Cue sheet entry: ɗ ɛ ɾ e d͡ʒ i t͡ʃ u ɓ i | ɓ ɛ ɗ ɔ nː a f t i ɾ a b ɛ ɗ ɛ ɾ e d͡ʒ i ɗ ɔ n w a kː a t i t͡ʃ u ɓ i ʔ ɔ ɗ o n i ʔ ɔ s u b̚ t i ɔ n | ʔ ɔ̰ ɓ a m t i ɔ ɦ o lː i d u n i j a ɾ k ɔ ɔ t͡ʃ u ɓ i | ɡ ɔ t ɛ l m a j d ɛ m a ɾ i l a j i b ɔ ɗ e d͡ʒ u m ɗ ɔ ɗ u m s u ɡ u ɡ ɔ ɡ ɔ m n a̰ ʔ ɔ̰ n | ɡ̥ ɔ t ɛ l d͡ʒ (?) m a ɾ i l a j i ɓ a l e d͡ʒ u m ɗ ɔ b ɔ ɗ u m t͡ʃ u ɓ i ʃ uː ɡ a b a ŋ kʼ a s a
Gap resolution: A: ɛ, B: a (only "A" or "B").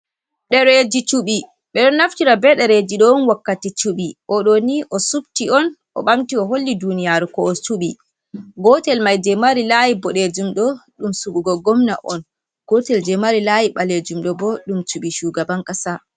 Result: A